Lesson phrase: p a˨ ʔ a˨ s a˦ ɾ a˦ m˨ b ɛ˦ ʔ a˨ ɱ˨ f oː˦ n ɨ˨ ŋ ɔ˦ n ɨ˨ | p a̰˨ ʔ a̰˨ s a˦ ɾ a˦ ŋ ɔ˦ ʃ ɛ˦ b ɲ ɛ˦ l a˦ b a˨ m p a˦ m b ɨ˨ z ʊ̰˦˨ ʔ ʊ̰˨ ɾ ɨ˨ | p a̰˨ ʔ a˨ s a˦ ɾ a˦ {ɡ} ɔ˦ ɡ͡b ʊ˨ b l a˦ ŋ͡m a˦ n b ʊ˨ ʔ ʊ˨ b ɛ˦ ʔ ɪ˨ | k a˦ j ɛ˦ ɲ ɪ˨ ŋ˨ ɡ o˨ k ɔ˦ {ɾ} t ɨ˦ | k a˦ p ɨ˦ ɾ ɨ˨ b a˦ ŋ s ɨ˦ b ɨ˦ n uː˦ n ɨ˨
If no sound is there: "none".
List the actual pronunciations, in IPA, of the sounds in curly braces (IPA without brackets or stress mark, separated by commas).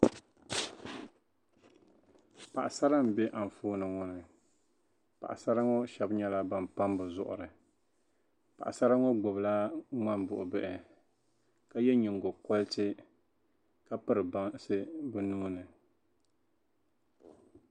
ŋ, l